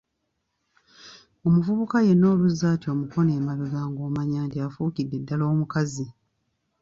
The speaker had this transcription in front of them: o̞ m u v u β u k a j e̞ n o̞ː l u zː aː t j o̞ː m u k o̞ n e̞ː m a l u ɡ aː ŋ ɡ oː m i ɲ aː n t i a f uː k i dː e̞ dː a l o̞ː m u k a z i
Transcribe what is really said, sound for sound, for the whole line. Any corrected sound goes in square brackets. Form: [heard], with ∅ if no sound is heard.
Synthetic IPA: o̞ m u v u β u k a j e̞ n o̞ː l u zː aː t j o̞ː m u k o̞ n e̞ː m a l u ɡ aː ŋ ɡ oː m [a] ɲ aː n t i a f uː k i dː e̞ dː a l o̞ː m u k a z i